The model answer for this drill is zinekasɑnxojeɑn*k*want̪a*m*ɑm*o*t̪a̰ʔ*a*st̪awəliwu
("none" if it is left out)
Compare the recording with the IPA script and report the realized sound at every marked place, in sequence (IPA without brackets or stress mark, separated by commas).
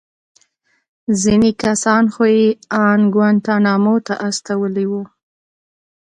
ɡ, n, o, a